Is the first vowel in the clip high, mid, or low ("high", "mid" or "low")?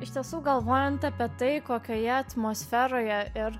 high